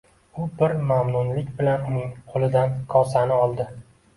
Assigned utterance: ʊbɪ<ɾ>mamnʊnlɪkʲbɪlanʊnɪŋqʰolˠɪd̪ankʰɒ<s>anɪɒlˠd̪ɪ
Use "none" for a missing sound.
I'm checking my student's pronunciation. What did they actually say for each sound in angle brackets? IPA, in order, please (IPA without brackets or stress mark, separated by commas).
ɾ, s